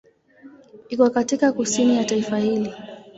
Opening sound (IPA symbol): i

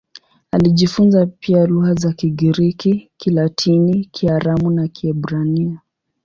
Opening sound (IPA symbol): a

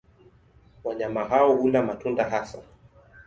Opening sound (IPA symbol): w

